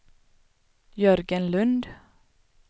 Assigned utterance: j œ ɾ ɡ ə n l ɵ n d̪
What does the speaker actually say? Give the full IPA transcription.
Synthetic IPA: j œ ɾ ɡ ə n l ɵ n d̪